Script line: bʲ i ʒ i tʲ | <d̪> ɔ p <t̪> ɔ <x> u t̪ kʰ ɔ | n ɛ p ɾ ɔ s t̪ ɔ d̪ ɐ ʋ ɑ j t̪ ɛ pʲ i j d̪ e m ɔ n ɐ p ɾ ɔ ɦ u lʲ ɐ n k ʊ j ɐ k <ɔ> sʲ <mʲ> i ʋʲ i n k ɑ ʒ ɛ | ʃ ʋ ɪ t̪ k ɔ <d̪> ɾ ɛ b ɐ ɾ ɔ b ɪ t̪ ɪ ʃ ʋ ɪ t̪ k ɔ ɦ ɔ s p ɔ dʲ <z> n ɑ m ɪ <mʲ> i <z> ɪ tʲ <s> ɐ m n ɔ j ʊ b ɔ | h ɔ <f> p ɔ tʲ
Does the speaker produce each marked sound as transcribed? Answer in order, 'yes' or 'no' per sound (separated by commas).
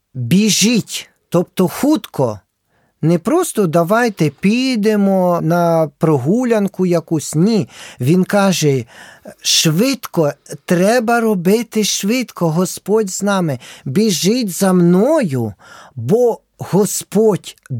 no, yes, yes, no, no, no, yes, no, no, no, no